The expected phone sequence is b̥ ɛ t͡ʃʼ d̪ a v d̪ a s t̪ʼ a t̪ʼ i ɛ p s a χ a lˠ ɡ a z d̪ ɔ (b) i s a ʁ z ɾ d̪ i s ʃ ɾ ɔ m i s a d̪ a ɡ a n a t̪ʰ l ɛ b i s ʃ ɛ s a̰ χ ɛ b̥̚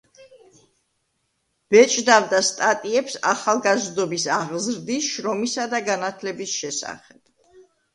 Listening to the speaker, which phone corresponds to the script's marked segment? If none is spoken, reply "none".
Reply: b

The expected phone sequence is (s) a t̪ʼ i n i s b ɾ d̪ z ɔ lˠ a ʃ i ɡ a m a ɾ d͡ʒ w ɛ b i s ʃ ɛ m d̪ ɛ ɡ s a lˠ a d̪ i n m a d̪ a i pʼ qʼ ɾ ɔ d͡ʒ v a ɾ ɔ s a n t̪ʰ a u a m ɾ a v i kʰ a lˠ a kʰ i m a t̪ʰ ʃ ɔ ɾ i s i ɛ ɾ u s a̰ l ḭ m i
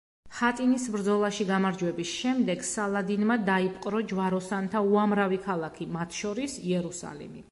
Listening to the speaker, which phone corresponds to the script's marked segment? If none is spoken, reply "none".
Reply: χ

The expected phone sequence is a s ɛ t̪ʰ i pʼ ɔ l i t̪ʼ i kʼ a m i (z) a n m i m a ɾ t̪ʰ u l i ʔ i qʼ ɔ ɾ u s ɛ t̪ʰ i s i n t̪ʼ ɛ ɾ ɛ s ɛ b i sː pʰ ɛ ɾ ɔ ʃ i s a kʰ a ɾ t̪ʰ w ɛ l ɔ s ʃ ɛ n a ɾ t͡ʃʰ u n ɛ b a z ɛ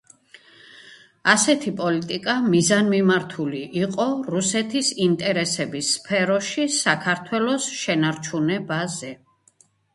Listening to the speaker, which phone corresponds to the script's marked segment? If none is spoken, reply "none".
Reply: z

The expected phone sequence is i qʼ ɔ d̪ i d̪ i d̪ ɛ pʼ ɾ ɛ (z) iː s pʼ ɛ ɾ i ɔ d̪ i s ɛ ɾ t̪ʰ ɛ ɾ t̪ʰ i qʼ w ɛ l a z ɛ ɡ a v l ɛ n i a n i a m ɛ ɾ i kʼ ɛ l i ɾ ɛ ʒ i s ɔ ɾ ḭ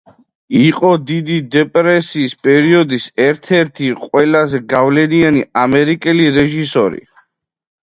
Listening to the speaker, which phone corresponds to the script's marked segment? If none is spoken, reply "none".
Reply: s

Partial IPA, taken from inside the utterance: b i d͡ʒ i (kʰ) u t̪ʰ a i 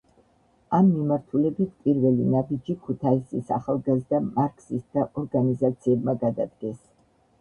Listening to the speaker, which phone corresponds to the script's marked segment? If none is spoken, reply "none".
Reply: kʰ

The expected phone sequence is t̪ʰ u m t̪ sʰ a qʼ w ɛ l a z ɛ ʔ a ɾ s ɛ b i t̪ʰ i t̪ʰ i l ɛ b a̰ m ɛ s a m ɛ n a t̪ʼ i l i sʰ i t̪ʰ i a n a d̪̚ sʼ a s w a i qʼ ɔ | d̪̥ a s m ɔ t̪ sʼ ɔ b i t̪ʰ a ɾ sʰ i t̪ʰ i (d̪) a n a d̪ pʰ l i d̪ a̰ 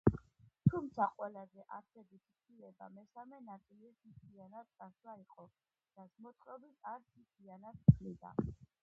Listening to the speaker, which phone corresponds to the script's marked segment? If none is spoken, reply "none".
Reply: none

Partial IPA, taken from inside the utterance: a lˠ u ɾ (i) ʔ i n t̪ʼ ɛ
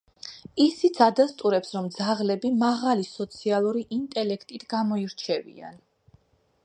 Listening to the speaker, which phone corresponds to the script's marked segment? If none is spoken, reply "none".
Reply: i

